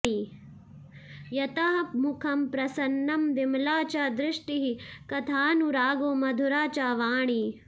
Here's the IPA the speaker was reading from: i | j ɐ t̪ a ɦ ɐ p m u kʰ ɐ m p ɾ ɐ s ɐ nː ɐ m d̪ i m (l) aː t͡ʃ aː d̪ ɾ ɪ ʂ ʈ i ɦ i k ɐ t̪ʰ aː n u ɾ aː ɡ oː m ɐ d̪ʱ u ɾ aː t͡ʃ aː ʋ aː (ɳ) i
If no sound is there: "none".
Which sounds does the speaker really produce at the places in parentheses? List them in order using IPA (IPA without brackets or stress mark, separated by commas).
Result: l, ɳ